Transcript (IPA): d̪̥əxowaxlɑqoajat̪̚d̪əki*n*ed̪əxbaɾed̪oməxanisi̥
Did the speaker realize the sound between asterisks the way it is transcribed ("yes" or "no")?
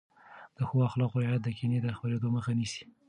yes